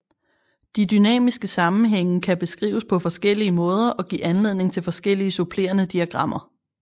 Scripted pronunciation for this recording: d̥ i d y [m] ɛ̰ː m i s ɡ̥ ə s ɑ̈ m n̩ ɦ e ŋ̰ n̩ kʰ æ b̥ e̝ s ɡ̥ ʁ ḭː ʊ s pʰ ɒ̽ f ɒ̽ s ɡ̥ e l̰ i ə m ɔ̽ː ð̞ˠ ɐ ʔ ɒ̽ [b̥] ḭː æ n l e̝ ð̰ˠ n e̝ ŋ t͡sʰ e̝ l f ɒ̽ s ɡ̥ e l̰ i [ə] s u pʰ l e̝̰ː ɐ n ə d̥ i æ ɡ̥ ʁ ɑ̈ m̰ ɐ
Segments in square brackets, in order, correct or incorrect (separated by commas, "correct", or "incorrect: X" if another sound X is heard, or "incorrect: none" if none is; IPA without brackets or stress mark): incorrect: n, incorrect: ɡ̥, correct